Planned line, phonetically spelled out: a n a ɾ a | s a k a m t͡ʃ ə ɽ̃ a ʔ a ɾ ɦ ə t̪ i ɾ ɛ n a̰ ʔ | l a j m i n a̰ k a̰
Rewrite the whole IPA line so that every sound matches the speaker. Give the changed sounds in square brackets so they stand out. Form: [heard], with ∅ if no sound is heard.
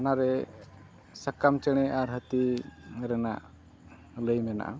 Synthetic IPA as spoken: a n a ɾ [ɛ] | s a k a m t͡ʃ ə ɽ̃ [ɛ] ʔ a ɾ ɦ ə t̪ i ɾ ɛ n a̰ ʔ | l [ə] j m [ɛ] n a̰ [ʔ] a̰